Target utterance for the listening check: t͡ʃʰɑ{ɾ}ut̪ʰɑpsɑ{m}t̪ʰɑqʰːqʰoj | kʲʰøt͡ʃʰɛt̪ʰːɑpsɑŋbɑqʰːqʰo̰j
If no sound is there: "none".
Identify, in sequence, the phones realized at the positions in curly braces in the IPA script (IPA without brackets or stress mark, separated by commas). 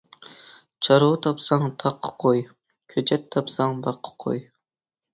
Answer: ɾ, ŋ